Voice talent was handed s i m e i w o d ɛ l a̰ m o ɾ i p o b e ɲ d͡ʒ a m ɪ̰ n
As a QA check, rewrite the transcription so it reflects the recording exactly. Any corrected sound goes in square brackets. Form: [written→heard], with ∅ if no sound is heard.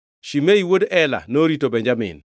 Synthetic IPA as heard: [s→ʃ] i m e i w o d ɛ l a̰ [m→n] o ɾ i [p→t] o b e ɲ d͡ʒ a m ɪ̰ n